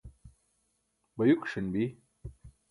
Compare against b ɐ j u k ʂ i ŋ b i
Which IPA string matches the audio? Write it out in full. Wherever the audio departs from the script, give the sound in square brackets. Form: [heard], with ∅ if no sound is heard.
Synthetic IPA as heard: b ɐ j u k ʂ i [n] b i